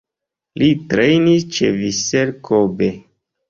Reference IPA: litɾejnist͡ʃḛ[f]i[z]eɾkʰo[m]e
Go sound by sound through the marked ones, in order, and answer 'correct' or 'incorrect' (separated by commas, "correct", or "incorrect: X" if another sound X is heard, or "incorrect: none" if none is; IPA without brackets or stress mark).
incorrect: v, incorrect: s, incorrect: b